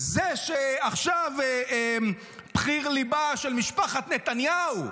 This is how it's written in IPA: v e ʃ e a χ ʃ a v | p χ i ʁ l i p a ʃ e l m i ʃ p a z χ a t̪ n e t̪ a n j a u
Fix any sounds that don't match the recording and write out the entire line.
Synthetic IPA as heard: z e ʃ e a χ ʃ a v | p χ i ʁ l i b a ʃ e l m i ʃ p a χ a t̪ n e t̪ a n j a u